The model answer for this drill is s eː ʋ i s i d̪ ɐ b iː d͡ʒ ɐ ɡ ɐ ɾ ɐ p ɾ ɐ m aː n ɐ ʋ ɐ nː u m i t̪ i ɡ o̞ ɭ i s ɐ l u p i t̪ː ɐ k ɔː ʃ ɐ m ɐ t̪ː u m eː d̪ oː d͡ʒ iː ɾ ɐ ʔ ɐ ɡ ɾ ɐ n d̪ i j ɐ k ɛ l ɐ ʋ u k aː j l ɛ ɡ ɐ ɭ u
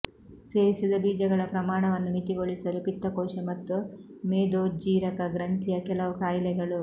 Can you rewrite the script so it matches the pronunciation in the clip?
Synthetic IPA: s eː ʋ i s i d̪ ɐ b iː d͡ʒ ɐ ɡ ɐ ɭ ɐ p ɾ ɐ m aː ɳ ɐ ʋ ɐ nː u m i t̪ i ɡ o̞ ɭ i s ɐ l u p i t̪ː ɐ k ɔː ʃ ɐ m ɐ t̪ː u m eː d̪ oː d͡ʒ iː ɾ ɐ k ɐ ɡ ɾ ɐ n t̪ i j ɐ k ɛ l ɐ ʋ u k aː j l ɛ ɡ ɐ ɭ u